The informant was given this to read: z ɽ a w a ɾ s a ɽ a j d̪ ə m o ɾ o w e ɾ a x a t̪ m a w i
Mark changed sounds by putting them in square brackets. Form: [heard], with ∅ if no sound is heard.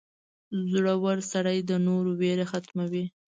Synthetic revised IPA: z ɽ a w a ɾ s a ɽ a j d̪ ə [n] o ɾ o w e ɾ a x a t̪ m a w i